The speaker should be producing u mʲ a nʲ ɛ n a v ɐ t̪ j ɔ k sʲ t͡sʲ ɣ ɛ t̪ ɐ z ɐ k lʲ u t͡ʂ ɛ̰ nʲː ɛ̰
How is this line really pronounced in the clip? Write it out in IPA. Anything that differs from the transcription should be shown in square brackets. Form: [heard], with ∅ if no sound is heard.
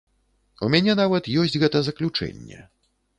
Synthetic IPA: u mʲ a nʲ ɛ n a v ɐ t̪ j ɔ [∅] sʲ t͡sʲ ɣ ɛ t̪ ɐ z ɐ k lʲ u t͡ʂ ɛ̰ nʲː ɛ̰

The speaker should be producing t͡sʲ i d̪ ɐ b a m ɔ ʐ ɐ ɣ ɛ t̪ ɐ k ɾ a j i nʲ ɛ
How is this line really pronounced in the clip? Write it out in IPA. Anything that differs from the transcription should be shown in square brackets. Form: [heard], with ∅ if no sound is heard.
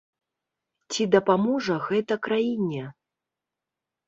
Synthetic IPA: t͡sʲ i d̪ ɐ [p] a m ɔ ʐ ɐ ɣ ɛ t̪ ɐ k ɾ a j i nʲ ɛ

